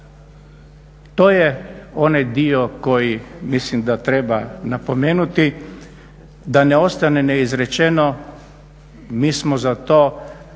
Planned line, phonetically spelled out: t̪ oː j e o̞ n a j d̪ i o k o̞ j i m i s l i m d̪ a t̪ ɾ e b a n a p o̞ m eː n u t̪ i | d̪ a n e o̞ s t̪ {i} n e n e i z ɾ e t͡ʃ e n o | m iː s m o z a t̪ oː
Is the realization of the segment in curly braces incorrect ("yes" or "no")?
yes